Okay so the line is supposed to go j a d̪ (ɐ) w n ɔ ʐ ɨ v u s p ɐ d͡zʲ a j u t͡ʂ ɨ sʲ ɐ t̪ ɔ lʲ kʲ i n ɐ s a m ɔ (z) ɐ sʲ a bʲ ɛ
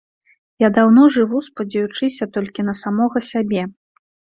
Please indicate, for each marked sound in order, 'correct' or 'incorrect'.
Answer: incorrect, incorrect

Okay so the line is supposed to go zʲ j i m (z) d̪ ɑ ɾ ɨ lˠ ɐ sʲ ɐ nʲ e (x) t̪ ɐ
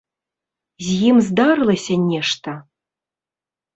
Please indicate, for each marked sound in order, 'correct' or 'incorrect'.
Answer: correct, incorrect

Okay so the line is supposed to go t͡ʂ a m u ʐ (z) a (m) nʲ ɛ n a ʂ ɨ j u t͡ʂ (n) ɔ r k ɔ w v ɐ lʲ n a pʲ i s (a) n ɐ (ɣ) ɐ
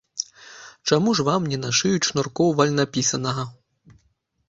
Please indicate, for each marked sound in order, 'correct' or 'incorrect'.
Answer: incorrect, correct, correct, incorrect, correct

